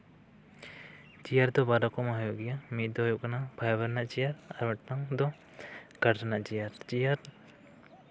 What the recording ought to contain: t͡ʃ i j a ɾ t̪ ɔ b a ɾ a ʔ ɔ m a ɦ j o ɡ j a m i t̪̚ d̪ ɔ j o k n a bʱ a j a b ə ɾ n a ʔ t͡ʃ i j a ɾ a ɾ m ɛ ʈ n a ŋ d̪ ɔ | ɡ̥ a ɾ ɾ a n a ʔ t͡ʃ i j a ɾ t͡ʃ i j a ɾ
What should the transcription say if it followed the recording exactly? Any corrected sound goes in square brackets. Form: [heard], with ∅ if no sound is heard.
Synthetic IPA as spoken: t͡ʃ i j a ɾ [d̪] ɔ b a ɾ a [k] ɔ m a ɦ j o ɡ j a m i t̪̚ d̪ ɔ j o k n a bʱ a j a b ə ɾ n a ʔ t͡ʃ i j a ɾ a ɾ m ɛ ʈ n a ŋ d̪ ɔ | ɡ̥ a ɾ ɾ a n a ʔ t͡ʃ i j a ɾ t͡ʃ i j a ɾ